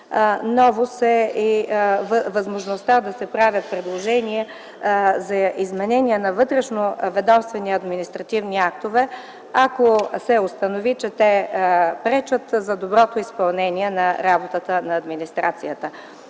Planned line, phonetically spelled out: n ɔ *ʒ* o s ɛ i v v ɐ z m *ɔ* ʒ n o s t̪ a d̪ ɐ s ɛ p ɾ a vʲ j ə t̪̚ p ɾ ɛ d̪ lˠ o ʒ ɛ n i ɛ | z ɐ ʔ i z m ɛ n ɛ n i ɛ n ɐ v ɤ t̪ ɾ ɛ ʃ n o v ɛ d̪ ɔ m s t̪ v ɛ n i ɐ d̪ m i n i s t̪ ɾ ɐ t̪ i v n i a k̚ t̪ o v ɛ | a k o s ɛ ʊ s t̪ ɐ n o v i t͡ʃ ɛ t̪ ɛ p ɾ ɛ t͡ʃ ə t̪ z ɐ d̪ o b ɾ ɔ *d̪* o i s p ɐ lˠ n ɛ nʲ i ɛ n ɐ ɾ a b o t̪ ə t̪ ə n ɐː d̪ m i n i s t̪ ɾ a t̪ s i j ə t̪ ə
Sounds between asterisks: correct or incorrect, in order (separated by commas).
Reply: incorrect, incorrect, incorrect